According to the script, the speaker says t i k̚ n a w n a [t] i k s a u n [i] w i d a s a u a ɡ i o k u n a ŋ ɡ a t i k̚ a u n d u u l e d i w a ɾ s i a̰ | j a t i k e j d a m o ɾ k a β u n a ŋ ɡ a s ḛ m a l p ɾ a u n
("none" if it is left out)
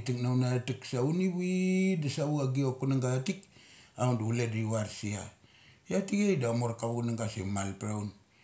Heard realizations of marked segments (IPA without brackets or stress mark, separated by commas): t, i